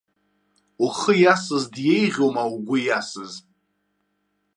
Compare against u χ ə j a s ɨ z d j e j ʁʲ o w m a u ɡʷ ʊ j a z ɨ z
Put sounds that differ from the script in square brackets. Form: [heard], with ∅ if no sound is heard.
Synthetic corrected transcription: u χ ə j a s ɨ z d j e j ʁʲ o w m a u ɡʷ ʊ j a [s] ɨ z